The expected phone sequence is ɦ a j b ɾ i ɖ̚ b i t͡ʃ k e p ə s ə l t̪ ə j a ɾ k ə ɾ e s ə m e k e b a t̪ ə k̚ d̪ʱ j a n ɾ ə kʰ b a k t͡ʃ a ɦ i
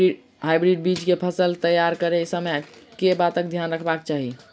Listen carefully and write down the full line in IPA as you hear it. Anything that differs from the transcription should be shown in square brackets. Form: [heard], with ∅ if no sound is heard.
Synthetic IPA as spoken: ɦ a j b ɾ i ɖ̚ b i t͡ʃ k e [pʰ] ə s ə l t̪ ə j a ɾ k ə ɾ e s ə m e k e b a t̪ ə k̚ d̪ʱ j a n ɾ ə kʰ b a k t͡ʃ a ɦ i